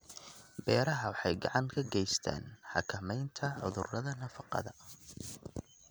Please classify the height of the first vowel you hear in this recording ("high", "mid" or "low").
mid